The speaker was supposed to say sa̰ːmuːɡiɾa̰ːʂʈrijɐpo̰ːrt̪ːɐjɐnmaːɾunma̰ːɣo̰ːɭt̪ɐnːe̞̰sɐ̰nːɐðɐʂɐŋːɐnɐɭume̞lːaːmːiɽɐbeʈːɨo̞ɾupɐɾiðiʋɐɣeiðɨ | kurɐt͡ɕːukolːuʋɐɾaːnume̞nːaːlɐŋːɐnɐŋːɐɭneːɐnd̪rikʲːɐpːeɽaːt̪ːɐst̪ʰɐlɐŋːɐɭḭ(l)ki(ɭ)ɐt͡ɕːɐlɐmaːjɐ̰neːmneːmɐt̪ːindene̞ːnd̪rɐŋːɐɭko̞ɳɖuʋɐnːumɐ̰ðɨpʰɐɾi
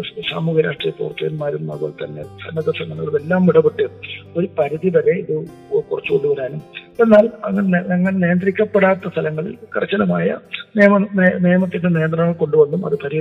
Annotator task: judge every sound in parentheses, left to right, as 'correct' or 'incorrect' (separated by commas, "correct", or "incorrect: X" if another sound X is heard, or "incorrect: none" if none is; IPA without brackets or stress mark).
correct, incorrect: r